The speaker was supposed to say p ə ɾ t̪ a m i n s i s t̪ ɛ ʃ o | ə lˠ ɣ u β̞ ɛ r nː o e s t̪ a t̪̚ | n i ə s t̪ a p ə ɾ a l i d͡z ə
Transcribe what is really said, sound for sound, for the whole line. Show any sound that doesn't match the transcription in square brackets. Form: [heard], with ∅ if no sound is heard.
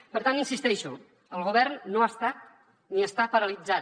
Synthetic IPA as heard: p ə ɾ t̪ a [n] i n s i s t̪ ɛ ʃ [u] | ə lˠ ɣ u β̞ ɛ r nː o [a] s t̪ a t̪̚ | n i ə s t̪ a p ə ɾ [ə] l i d͡z [a]

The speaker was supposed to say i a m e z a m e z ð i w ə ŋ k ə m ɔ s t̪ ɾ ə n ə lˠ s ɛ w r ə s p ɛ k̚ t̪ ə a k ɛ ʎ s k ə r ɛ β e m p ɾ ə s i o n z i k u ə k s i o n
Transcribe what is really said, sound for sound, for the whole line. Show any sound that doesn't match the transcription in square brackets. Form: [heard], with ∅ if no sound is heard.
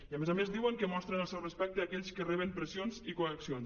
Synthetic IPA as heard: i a m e z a m e z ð i w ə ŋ k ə m ɔ s t̪ ɾ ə n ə lˠ s ɛ w r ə s p ɛ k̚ t̪ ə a k ɛ ʎ s k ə r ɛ β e m p ɾ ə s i o n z i k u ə k s i o n

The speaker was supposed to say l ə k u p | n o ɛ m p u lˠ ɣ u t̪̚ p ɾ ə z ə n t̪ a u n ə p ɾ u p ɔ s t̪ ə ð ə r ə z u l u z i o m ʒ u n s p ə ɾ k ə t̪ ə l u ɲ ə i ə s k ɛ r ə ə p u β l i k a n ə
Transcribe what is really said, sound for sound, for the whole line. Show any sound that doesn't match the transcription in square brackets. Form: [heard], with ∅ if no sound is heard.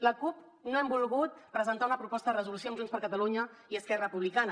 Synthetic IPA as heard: l ə k u p | n o ɛ m [b] u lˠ ɣ u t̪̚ p ɾ ə z ə n t̪ a u n ə p ɾ u p ɔ s t̪ ə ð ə r ə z u l u [s] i o m ʒ u n s p ə ɾ k ə t̪ ə l u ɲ ə i ə s k ɛ r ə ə p u β l i k a n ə

